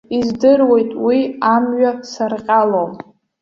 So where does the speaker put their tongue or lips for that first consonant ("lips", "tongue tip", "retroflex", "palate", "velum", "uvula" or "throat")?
tongue tip